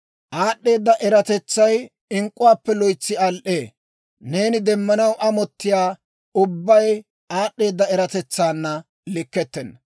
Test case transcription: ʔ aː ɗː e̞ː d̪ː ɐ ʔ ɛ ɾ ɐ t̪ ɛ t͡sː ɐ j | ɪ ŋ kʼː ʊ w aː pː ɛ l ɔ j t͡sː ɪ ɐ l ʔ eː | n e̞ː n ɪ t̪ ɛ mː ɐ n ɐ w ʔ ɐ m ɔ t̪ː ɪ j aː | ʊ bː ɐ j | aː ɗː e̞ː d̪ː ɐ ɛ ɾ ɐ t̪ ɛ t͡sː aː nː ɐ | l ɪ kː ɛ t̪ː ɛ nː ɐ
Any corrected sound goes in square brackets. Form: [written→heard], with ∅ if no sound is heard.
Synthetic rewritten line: ʔ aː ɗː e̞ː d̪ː ɐ ʔ ɛ ɾ ɐ t̪ ɛ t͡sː ɐ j | ɪ ŋ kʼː ʊ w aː pː ɛ l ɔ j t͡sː ɪ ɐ l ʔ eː | n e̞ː n ɪ [t̪→d̪] ɛ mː ɐ n ɐ w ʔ ɐ m ɔ t̪ː ɪ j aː | ʊ bː ɐ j | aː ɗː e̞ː d̪ː ɐ ɛ ɾ ɐ t̪ ɛ t͡sː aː nː ɐ | l ɪ kː ɛ t̪ː ɛ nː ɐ